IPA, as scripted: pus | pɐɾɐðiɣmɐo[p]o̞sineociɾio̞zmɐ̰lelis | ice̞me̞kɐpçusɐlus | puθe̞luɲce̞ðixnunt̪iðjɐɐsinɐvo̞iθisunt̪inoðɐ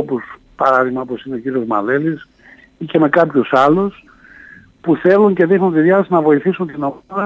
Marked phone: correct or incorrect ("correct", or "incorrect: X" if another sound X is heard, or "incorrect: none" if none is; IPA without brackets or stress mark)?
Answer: correct